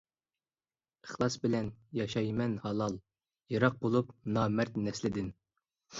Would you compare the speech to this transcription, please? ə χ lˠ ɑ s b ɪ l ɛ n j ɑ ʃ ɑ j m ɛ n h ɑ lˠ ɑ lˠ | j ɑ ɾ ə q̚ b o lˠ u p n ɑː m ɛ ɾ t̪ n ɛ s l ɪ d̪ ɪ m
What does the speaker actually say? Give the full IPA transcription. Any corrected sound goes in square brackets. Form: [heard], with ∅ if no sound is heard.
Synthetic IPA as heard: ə χ lˠ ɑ s b ɪ l ɛ n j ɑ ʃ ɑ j m ɛ n h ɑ lˠ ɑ lˠ | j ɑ ɾ [ɑ] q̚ b o lˠ u p n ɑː m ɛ ɾ t̪ n ɛ s l ɪ d̪ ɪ [n]